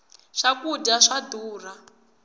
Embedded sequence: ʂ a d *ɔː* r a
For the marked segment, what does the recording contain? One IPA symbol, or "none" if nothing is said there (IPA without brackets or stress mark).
uː